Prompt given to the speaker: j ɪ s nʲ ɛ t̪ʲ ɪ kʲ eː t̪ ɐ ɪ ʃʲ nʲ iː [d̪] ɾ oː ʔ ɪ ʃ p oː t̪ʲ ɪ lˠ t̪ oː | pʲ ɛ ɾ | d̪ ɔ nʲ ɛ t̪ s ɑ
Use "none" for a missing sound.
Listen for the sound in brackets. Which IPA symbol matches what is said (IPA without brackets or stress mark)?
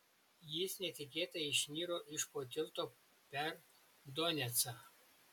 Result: none